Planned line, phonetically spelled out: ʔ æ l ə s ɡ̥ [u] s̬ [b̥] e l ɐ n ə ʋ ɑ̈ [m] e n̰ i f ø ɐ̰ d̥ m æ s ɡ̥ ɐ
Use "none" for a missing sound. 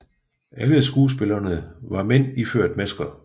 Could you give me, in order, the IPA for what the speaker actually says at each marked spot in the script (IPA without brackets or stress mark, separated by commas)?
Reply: uː, b̥, m